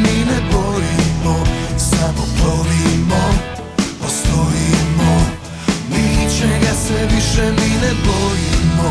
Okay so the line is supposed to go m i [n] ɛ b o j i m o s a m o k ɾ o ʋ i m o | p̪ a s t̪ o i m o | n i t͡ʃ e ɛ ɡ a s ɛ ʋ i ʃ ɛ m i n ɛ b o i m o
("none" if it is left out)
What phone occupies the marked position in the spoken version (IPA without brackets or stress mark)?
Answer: n